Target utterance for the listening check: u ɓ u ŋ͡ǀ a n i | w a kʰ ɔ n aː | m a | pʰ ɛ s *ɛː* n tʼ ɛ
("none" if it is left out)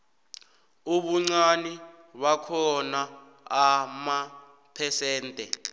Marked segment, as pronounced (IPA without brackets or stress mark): ɛː